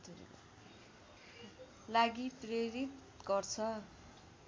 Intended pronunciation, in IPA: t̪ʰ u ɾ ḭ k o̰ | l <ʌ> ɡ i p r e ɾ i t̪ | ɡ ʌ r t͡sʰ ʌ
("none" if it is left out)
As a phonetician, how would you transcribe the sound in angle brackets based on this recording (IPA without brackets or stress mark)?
a